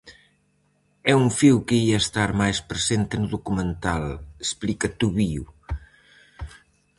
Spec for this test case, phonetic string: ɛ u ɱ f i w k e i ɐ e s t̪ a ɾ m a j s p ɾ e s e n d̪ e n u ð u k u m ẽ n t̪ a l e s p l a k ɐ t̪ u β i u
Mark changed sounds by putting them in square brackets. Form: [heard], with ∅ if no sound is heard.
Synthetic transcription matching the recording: ɛ u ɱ f i w k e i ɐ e s t̪ a ɾ m a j s p ɾ e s e n [t̪] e n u ð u k u m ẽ n t̪ a l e s p l [i] k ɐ t̪ u β i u